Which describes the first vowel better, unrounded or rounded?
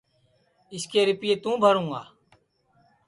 unrounded